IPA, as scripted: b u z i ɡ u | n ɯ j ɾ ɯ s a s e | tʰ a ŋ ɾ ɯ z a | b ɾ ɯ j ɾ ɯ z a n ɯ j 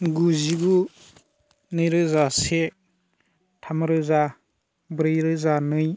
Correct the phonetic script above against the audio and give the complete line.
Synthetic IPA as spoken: ɡ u z i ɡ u | n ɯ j ɾ ɯ z a s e | tʰ a m ɾ ɯ z a | b ɾ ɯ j ɾ ɯ z a n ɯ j